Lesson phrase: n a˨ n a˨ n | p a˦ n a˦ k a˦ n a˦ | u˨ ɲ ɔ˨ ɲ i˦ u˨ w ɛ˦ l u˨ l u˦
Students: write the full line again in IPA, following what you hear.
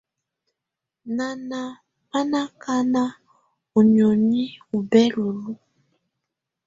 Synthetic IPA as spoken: n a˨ n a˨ | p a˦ n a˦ k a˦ n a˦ | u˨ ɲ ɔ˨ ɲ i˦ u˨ b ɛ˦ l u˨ l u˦